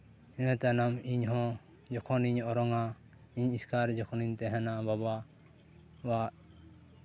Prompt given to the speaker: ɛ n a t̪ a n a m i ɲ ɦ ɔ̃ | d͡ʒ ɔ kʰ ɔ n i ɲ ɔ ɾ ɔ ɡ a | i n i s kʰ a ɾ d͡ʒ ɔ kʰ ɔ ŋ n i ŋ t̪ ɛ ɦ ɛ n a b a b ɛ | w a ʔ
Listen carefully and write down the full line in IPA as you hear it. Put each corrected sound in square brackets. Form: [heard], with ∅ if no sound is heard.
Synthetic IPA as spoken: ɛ n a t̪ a n a m i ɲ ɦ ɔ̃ | d͡ʒ ɔ kʰ ɔ n i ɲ ɔ ɾ ɔ [ŋ] a | i [ɲ] i s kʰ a ɾ d͡ʒ ɔ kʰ ɔ [∅] n i [ɲ] t̪ ɛ ɦ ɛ n a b a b [a] | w a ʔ